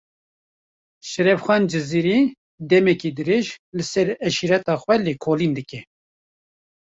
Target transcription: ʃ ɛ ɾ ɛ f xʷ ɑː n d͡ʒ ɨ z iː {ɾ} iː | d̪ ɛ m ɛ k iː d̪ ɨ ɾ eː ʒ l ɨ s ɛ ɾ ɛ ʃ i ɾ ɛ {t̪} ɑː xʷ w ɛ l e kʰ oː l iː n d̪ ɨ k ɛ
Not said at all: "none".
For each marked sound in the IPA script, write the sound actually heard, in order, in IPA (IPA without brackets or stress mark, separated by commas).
ɾ, t̪